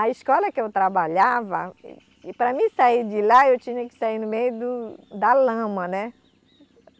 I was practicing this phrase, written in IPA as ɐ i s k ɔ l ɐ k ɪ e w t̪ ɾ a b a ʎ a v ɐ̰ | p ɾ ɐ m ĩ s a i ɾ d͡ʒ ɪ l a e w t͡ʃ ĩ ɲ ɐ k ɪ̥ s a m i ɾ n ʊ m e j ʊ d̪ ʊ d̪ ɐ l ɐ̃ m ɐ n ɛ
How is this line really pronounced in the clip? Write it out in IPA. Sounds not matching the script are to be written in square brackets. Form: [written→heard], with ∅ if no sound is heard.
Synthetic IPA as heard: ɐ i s k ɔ l ɐ k ɪ e w t̪ ɾ a b a ʎ a v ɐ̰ | p ɾ ɐ m ĩ s a i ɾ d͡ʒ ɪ l a e w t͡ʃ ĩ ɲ ɐ k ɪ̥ s a [m→∅] i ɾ n ʊ m e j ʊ d̪ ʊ d̪ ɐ l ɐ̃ m ɐ n ɛ